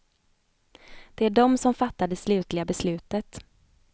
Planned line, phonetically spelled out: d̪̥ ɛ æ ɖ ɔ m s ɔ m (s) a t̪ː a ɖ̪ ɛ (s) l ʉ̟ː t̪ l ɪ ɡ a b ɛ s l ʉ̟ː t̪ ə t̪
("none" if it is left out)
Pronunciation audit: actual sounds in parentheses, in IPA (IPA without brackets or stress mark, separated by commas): f, s